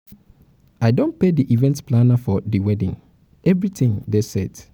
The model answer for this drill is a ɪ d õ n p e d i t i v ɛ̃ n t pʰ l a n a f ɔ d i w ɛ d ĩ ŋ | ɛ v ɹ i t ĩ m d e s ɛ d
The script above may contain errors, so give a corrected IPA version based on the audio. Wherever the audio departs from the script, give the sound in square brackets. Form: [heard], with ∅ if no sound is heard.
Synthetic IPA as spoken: a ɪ d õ n p e d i [ʔ] i v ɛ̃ n t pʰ l a n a f ɔ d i w ɛ d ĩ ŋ | ɛ v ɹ i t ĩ [ŋ] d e s ɛ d